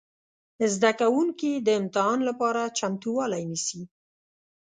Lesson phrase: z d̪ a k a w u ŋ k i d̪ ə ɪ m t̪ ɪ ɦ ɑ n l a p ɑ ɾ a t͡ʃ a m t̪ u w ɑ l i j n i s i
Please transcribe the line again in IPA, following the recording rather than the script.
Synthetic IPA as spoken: z d̪ a k a w u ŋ k i d̪ ə ɪ m t̪ ɪ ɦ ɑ n l a p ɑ ɾ a t͡ʃ a m t̪ u w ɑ l a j n i s i